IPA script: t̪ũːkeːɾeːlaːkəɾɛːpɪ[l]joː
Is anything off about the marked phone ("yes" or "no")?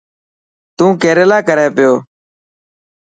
yes